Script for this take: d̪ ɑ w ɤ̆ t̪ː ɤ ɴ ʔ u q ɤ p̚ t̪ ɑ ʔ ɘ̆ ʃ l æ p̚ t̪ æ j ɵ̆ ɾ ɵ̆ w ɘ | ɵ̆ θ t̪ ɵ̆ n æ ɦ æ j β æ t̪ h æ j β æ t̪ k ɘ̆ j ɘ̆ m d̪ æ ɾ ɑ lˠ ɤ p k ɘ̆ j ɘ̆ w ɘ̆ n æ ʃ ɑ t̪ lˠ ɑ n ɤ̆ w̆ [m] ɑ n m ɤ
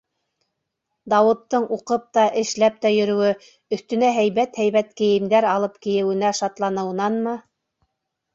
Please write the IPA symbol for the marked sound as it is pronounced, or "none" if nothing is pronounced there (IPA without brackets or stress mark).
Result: n